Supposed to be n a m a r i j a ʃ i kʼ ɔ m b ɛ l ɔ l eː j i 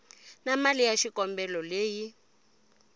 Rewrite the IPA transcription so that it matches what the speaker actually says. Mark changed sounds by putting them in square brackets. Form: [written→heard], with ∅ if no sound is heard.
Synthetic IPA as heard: n a m a [r→l] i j a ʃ i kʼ ɔ m b ɛ l ɔ l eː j i